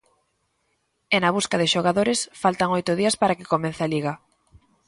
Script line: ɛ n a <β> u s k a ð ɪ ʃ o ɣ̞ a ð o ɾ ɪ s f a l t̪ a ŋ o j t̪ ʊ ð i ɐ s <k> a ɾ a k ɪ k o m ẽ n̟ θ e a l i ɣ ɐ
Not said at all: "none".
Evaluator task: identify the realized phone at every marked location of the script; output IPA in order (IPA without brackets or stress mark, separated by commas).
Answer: β, p